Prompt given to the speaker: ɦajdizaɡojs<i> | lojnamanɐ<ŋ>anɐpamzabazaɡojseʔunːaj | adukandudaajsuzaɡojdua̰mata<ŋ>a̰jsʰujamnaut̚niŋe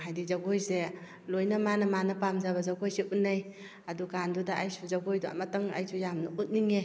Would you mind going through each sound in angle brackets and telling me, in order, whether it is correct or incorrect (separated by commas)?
incorrect, incorrect, correct